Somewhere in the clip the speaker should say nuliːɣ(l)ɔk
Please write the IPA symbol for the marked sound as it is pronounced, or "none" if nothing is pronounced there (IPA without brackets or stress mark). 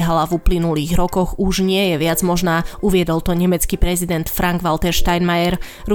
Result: ɾ